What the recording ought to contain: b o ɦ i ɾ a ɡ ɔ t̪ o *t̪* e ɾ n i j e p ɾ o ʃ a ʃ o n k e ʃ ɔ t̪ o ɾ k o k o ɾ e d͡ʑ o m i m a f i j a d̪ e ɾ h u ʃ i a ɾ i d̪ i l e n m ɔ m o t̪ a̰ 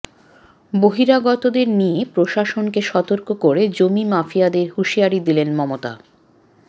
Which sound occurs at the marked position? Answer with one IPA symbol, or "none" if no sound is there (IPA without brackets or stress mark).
d̪